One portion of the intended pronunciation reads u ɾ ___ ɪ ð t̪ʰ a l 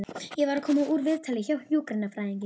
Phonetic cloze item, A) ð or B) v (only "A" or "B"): B